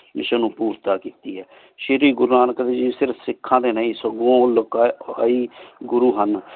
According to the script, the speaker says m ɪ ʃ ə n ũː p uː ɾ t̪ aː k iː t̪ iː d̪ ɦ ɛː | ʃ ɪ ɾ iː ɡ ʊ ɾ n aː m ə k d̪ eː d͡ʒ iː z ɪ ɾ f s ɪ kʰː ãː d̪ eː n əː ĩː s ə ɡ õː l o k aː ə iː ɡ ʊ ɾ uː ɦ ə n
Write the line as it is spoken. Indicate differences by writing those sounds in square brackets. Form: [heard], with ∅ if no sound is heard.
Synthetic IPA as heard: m ɪ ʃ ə n ũː p uː ɾ t̪ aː k iː t̪ iː [∅] ɦ ɛː | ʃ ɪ ɾ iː ɡ ʊ ɾ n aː [n] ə k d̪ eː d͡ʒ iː [s] ɪ ɾ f s ɪ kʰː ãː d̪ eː n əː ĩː s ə ɡ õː l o k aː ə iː ɡ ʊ ɾ uː ɦ ə n